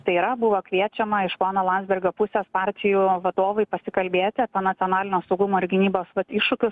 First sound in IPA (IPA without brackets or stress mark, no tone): t̪